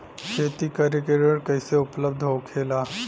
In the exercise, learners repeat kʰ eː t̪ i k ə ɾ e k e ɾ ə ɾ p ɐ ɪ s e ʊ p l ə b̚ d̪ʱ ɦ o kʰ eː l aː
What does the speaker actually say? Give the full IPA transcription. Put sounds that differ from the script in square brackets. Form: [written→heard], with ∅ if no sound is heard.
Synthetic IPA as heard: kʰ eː t̪ i k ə ɾ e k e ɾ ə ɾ [p→k] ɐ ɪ s e ʊ p l ə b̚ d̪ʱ ɦ o kʰ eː l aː

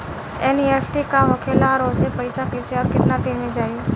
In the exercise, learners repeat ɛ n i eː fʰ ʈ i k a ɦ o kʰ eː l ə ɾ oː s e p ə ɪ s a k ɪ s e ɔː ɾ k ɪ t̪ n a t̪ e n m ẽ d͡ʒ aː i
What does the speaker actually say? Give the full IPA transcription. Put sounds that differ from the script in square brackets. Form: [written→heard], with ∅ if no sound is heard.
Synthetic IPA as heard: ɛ n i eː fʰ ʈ i k a ɦ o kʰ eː l [ə→a] ɾ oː s e p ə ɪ s a k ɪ s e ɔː ɾ k ɪ t̪ n a t̪ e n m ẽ d͡ʒ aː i

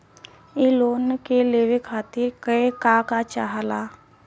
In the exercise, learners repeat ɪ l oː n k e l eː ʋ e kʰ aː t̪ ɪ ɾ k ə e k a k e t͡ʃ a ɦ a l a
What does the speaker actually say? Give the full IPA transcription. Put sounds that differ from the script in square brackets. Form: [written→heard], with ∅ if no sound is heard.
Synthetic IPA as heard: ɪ l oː n k e l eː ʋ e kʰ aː t̪ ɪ ɾ k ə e k a k [e→a] t͡ʃ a ɦ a l a

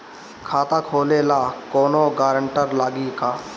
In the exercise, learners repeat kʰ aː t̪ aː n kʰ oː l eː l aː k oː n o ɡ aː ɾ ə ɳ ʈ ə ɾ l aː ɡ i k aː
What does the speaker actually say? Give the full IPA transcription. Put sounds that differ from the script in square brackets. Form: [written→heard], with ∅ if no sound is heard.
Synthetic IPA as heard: kʰ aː t̪ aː [n→∅] kʰ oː l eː l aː k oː n o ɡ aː ɾ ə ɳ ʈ ə ɾ l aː ɡ i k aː

